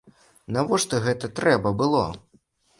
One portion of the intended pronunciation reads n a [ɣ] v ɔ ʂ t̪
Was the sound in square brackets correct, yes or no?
no